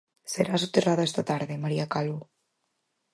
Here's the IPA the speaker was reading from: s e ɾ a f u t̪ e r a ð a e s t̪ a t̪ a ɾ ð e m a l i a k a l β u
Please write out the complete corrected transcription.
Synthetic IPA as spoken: s e ɾ a s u t̪ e r a ð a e s t̪ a t̪ a ɾ ð e m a ɾ i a k a l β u

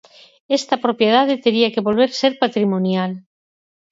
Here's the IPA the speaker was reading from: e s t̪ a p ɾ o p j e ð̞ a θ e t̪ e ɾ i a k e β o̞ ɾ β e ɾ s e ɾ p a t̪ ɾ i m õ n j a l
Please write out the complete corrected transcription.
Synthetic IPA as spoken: e s t̪ a p ɾ o p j e ð̞ a ð e t̪ e ɾ i a k e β o̞ l β e ɾ s e ɾ p a t̪ ɾ i m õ n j a l

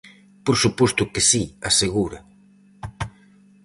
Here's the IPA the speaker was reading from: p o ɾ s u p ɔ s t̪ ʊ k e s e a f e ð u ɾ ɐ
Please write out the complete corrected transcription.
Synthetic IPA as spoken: p o ɾ s u p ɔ s t̪ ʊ k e s i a s e ɣ u ɾ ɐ

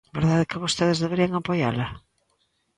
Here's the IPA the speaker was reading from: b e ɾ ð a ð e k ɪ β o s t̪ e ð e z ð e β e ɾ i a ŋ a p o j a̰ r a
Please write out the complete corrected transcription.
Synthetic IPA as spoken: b e ɾ ð a ð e k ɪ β o s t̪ e ð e z ð e β e ɾ i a ŋ a p o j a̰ l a

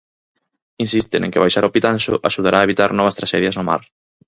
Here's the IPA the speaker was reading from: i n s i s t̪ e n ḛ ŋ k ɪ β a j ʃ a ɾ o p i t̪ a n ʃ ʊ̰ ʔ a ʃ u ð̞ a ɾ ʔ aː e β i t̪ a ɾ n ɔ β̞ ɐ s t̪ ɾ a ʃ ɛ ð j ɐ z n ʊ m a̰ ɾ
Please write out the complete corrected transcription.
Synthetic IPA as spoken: i n s i s t̪ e n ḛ ŋ k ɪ β a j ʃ a ɾ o p i t̪ a n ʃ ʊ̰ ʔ a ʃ u ð̞ a ɾ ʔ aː e β i t̪ a ɾ n ɔ β̞ ɐ s t̪ ɾ a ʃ ɛ ð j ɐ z n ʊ m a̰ ɾ

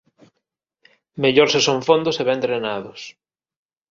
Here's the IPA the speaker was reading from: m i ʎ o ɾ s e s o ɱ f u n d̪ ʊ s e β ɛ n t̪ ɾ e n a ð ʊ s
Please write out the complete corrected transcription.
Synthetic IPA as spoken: m e ʎ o ɾ s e s o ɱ f o n d̪ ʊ s e β ɛ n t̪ ɾ e n a ð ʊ s

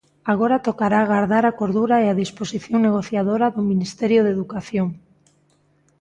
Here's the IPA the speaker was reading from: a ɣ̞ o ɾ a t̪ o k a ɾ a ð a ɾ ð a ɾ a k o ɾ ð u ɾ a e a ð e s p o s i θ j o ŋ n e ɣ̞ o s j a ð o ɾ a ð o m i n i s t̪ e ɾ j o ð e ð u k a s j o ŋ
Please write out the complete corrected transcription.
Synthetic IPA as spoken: a ɣ̞ o ɾ a t̪ o k a ɾ a ɣ a ɾ ð a ɾ a k o ɾ ð u ɾ a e a ð i s p o s i θ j o ŋ n e ɣ̞ o θ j a ð o ɾ a ð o m i n i s t̪ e ɾ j o ð e ð u k a θ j o ŋ

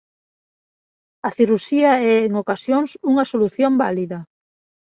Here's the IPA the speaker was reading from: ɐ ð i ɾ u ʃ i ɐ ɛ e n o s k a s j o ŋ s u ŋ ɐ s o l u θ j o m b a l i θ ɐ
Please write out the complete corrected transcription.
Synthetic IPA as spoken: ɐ θ i ɾ u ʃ i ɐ ɛ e ŋ o k a s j o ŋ s u ŋ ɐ s o l u θ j o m b a l i ð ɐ

